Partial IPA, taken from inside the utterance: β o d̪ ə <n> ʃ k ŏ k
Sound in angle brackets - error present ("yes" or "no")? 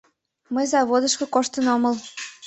yes